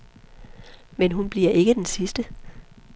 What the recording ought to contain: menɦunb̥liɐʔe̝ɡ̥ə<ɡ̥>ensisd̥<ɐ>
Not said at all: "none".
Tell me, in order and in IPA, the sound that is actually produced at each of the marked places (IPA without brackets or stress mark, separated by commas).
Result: d̥, ə